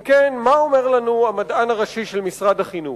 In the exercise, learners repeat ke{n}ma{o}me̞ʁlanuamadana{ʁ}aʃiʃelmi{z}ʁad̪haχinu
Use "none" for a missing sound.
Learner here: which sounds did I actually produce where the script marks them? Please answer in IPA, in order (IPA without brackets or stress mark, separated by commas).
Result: n, o, ʁ, s